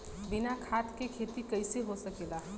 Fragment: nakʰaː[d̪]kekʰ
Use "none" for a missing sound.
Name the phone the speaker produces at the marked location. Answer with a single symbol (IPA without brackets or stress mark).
t̪